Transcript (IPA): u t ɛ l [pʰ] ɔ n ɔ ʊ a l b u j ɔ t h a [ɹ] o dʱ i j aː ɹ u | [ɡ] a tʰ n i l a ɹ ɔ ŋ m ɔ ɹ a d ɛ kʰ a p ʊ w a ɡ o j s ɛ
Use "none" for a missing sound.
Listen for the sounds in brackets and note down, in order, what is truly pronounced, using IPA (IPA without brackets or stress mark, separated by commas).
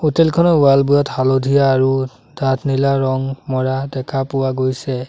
kʰ, l, d